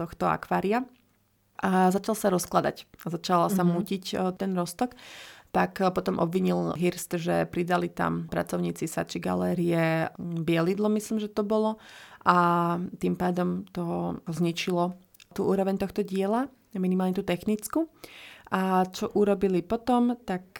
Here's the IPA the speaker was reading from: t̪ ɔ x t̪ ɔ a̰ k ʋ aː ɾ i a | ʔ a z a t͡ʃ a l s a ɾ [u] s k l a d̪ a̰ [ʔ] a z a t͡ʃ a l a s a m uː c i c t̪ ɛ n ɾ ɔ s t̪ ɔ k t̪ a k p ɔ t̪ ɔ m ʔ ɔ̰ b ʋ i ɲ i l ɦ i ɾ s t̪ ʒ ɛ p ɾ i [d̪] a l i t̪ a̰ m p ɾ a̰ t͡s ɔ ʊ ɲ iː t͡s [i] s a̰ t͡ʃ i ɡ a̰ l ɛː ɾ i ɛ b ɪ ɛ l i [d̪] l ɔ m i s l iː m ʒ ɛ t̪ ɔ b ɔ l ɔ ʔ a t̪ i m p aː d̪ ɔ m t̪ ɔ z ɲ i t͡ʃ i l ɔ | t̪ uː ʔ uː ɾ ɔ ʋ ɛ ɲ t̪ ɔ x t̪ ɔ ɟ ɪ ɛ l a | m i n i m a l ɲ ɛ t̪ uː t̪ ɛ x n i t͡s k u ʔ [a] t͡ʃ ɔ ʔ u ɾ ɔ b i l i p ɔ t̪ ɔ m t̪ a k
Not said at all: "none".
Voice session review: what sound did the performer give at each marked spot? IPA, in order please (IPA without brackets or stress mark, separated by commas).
ɔ, c, d̪, i, d̪, a